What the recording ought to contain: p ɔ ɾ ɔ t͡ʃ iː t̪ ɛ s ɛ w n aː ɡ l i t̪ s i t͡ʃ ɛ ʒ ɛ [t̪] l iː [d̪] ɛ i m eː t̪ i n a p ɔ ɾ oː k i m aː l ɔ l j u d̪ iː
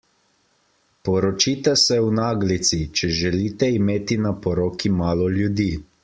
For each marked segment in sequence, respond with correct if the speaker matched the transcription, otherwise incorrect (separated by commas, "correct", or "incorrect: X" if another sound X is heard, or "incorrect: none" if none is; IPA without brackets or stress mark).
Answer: incorrect: none, incorrect: t̪